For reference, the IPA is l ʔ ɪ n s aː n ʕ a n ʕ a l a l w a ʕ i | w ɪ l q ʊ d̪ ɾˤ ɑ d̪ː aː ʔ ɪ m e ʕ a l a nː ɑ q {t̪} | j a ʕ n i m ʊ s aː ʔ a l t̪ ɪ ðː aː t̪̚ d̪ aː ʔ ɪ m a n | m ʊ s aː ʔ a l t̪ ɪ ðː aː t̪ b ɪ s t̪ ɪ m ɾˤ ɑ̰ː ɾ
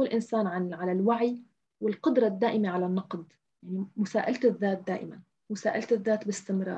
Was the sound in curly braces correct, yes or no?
no